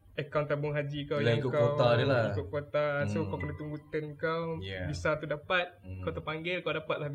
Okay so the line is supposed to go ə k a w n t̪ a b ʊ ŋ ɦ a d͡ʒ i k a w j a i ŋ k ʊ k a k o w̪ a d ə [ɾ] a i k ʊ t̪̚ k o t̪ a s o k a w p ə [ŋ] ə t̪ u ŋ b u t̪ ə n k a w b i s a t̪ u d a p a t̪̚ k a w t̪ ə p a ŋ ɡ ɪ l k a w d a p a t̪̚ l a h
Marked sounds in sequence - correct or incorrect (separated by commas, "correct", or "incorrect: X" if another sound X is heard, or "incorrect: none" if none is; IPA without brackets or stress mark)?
incorrect: l, incorrect: n